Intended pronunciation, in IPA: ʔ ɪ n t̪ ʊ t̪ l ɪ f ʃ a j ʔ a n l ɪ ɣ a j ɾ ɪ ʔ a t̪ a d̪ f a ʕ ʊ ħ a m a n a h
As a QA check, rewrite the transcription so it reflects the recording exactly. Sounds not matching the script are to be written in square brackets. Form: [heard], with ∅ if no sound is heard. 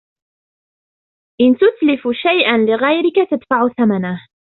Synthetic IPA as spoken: ʔ ɪ n t̪ ʊ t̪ l ɪ f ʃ a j ʔ a n l ɪ ɣ a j ɾ ɪ [k] a t̪ a d̪ f a ʕ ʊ [θ] a m a n a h